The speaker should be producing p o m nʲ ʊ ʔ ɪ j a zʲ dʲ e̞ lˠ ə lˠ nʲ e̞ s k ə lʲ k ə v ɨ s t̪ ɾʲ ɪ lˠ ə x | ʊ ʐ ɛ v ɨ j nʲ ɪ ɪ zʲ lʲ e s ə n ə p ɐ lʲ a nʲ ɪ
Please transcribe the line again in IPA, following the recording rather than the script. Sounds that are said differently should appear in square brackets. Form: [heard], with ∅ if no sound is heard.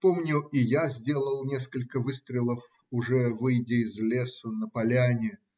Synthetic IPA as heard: p o m nʲ ʊ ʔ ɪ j a zʲ dʲ e̞ lˠ ə lˠ nʲ e̞ s k ə lʲ k ə v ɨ s t̪ ɾʲ ɪ lˠ ə [f] | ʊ ʐ ɛ v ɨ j [dʲ] ɪ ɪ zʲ lʲ e s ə n ə p ɐ lʲ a nʲ ɪ

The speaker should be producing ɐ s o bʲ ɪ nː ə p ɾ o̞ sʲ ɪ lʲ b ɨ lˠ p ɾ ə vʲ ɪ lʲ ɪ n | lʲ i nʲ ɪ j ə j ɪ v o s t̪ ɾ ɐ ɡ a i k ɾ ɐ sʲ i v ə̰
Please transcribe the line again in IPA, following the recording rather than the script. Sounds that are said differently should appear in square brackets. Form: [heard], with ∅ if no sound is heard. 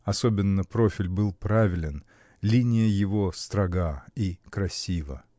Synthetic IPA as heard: ɐ s o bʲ ɪ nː ə p ɾ o̞ [fʲ] ɪ lʲ b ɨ lˠ p ɾ [a] vʲ ɪ lʲ ɪ n | lʲ i nʲ ɪ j ə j ɪ v o s t̪ ɾ ɐ ɡ a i k ɾ ɐ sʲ i v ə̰

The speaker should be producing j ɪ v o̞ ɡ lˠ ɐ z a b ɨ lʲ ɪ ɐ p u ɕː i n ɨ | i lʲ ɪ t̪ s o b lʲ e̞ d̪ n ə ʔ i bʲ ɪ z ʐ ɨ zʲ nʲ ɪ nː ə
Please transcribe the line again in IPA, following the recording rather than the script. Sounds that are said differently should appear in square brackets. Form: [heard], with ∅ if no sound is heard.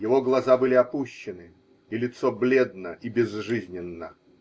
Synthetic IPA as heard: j ɪ v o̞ ɡ lˠ ɐ z a b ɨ lʲ ɪ ɐ p u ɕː [ɪ] n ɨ | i lʲ ɪ t̪ s o b lʲ e̞ d̪ n ə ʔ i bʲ ɪ z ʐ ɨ zʲ nʲ ɪ nː ə

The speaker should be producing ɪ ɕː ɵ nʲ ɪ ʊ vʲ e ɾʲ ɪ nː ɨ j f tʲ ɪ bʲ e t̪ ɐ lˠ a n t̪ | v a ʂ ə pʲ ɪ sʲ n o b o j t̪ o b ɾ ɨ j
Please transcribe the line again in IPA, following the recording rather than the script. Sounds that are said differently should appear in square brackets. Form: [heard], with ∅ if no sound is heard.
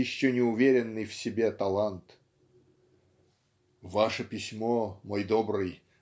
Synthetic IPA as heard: ɪ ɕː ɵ nʲ ɪ ʊ vʲ e ɾʲ ɪ nː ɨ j f [sʲ] ɪ bʲ e t̪ ɐ lˠ a n t̪ | v a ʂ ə pʲ ɪ sʲ [m] o [m] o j [d̪] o b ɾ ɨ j

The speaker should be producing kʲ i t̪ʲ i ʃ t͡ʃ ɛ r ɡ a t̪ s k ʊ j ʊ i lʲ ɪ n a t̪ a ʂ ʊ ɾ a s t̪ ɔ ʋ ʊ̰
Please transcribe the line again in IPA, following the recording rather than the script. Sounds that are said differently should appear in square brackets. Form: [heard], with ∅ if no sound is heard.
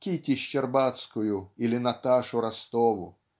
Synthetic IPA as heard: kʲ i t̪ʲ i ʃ t͡ʃ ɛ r [b] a t̪ s k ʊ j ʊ i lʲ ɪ n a t̪ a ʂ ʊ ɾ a s t̪ ɔ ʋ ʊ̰

